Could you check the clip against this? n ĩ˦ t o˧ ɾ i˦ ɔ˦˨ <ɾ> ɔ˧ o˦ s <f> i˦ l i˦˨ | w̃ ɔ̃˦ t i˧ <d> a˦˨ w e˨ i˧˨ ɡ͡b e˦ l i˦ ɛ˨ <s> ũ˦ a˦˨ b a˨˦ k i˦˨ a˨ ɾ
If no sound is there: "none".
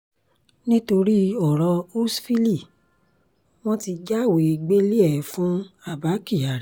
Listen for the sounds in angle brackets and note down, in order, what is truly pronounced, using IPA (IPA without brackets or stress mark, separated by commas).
ɾ, f, d͡ʒ, f